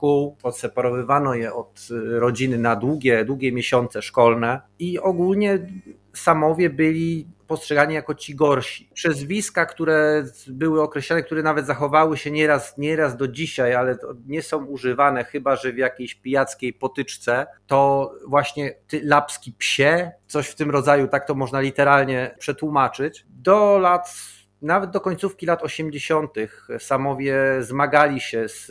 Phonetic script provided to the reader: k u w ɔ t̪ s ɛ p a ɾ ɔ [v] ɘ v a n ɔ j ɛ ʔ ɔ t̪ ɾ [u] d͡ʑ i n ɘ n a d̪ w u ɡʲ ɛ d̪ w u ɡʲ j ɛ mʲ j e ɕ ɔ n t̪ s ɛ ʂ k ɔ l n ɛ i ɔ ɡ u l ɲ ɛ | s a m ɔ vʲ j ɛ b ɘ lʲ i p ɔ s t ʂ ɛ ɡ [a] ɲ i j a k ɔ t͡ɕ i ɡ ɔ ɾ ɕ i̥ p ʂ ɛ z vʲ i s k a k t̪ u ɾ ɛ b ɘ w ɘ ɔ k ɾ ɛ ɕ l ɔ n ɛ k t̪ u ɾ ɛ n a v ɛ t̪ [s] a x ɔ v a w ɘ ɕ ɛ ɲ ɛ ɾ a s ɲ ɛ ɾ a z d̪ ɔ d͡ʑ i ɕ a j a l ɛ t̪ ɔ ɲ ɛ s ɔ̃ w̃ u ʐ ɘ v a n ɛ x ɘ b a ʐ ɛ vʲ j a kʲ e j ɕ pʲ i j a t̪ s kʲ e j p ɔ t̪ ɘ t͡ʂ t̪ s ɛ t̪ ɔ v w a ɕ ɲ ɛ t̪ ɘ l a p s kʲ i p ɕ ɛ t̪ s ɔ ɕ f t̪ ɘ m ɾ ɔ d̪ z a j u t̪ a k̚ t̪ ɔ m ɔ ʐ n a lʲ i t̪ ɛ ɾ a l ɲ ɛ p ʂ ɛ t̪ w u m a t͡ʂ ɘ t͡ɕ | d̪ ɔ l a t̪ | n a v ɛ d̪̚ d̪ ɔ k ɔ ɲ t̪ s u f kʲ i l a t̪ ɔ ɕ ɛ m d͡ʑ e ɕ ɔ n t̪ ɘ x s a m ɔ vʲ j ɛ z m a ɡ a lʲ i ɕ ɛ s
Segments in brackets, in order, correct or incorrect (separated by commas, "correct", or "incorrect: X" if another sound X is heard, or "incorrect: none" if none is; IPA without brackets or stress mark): correct, incorrect: ɔ, correct, incorrect: z